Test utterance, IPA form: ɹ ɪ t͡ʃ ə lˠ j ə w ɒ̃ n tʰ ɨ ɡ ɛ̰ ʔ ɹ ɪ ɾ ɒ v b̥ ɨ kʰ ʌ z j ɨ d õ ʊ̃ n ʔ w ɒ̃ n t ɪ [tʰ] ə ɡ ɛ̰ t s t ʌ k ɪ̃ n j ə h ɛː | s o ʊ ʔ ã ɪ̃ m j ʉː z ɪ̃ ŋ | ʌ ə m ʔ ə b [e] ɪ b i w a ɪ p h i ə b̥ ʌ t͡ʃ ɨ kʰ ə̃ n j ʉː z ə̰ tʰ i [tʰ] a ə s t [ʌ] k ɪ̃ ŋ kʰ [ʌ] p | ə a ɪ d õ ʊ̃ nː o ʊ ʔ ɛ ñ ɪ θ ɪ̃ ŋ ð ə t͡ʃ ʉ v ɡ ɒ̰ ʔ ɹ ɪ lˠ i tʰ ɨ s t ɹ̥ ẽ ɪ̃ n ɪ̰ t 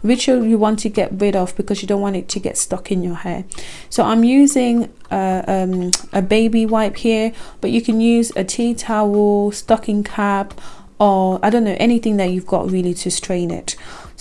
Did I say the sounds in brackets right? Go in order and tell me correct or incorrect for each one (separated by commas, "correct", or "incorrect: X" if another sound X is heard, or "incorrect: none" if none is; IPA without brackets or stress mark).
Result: correct, correct, correct, correct, incorrect: a